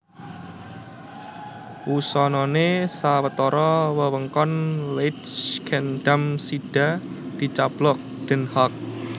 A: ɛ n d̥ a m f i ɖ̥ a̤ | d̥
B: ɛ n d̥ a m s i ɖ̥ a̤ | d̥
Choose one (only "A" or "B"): B